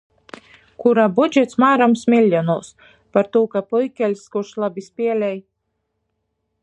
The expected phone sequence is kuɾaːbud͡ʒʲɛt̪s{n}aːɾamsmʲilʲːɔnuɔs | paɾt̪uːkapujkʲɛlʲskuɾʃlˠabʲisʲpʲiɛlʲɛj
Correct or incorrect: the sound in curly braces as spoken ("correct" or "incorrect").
incorrect